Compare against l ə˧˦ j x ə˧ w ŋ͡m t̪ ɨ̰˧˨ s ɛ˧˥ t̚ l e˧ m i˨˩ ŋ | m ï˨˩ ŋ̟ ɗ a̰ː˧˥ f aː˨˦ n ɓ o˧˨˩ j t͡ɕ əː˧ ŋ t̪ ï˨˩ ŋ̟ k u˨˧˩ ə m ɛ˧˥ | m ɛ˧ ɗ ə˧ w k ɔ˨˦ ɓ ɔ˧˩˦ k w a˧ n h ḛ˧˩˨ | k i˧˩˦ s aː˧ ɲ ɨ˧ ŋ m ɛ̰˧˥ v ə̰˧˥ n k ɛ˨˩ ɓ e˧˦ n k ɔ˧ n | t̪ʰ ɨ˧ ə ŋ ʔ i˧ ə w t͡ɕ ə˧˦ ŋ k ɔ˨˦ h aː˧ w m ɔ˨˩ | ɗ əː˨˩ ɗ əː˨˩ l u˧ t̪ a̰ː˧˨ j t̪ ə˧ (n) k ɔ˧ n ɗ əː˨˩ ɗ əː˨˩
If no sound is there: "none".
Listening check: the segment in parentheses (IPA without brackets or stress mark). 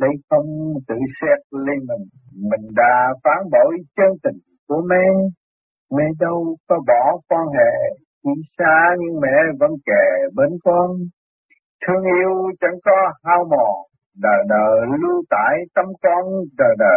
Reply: m